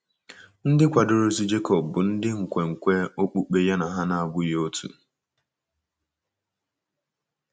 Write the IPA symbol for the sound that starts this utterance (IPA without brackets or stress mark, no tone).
n̩